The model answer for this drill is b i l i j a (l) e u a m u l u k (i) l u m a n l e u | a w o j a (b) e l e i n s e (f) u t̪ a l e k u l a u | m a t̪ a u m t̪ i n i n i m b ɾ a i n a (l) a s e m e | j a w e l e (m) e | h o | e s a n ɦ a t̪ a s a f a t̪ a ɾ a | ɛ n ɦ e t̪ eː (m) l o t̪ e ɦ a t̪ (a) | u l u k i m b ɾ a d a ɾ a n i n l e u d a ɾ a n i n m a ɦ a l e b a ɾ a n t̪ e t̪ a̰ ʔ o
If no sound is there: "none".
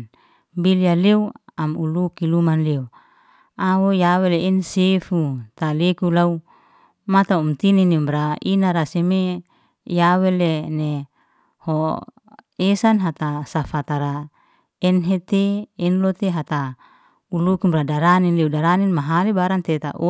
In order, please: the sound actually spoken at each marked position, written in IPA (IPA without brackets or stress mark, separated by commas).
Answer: l, i, w, f, ɾ, n, n, a